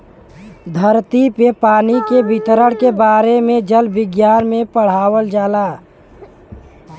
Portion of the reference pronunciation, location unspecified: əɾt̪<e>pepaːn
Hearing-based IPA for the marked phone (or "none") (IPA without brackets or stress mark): i